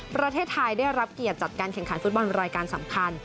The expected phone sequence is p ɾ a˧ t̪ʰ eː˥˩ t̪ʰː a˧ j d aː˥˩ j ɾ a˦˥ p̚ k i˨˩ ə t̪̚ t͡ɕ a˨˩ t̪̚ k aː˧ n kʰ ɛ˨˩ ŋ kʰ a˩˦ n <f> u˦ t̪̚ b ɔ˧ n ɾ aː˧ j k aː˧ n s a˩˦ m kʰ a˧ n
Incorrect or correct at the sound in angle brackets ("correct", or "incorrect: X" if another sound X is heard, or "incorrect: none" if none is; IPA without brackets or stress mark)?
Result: correct